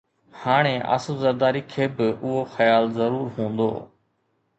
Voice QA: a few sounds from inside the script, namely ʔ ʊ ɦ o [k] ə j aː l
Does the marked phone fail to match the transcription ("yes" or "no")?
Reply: yes